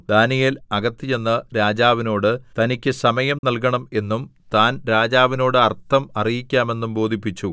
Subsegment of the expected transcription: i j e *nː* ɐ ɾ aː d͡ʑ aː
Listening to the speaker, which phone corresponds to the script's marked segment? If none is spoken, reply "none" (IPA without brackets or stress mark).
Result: nː